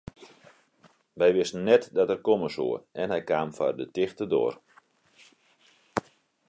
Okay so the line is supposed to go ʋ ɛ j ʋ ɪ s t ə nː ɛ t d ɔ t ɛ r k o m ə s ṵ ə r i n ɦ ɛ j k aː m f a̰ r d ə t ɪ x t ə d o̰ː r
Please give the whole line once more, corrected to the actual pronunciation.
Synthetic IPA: ʋ ɛ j ʋ ɪ s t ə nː ɛ t d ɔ t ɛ r k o m ə s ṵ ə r ɛ n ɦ ɛ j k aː m f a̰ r d ə t ɪ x t ə d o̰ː r